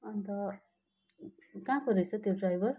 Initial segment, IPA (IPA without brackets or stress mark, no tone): ʌ